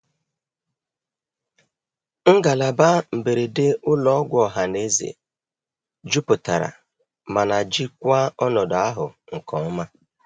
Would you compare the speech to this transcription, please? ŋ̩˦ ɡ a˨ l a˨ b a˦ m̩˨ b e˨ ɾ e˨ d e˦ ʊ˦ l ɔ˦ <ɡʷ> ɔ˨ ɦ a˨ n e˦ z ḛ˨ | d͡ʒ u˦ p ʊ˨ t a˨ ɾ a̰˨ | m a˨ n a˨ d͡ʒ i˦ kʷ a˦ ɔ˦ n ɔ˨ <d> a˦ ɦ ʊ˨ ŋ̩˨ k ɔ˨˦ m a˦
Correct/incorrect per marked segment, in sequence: correct, correct

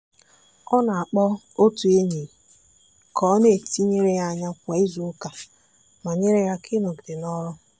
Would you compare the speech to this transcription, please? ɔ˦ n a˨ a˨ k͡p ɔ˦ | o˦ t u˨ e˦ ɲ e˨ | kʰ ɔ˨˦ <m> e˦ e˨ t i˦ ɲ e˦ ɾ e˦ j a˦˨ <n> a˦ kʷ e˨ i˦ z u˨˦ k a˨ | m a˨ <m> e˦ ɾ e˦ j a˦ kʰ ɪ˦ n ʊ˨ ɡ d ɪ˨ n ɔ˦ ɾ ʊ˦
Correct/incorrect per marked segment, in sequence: incorrect, incorrect, incorrect

